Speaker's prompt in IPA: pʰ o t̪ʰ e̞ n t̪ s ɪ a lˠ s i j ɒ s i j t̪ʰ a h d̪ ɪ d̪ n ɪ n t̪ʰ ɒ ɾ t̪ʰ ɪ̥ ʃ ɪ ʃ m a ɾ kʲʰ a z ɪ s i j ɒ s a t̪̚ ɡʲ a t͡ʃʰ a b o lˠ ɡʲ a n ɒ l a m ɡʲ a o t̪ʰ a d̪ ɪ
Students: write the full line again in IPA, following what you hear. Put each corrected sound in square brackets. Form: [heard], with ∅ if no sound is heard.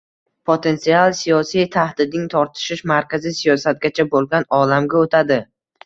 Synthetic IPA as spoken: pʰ o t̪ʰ e̞ n t̪ s [i] a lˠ s i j ɒ s i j t̪ʰ a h d̪ ɪ d̪ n ɪ [ŋ] t̪ʰ ɒ ɾ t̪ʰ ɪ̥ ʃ ɪ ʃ m a ɾ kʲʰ a z ɪ s i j ɒ s a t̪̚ ɡʲ a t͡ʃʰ a b o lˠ ɡʲ a n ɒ l a m ɡʲ a o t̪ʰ a d̪ ɪ